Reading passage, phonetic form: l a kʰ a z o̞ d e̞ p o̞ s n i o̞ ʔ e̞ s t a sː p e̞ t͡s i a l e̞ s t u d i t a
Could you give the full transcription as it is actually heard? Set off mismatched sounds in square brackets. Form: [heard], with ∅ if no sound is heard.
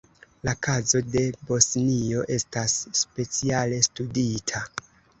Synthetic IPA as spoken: l a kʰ a z o̞ d e̞ [b] o̞ s n i o̞ ʔ e̞ s t a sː p e̞ t͡s i a l e̞ s t u d i [tʰ] a